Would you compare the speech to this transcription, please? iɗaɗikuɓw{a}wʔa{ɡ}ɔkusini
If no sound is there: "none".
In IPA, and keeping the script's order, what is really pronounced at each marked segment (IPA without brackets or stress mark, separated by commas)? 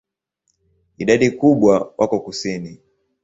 a, k